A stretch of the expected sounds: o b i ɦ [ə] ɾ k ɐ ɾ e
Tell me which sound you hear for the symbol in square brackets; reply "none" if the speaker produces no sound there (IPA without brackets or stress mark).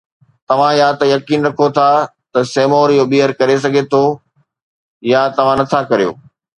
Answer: ə